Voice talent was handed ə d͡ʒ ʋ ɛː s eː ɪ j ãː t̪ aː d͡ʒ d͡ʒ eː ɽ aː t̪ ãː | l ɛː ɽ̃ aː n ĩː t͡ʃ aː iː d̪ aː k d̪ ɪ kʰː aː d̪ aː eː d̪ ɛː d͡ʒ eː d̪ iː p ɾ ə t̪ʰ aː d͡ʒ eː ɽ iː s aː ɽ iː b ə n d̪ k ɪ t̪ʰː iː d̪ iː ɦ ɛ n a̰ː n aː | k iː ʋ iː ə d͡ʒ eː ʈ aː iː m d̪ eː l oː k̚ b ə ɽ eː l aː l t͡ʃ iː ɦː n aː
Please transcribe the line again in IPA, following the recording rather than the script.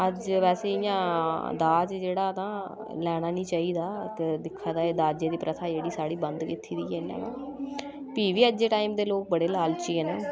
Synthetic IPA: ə d͡ʒ ʋ ɛː s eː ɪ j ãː d̪ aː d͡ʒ d͡ʒ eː ɽ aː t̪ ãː | l ɛː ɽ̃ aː n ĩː t͡ʃ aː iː d̪ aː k d̪ ɪ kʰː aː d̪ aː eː d̪ aː d͡ʒ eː d̪ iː p ɾ ə t̪ʰ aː d͡ʒ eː ɽ iː s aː ɽ iː b ə n d̪ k ɪ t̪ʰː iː d̪ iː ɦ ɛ n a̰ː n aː | p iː ʋ iː ə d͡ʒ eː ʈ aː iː m d̪ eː l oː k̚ b ə ɽ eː l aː l t͡ʃ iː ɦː n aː